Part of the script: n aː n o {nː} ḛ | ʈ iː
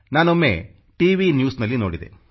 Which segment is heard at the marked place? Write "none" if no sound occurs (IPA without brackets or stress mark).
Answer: mː